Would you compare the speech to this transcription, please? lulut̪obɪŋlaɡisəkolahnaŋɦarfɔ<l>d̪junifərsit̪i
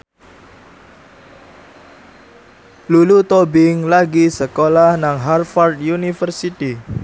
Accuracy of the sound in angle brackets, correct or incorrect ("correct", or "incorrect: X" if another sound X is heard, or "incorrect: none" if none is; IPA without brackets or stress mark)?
incorrect: r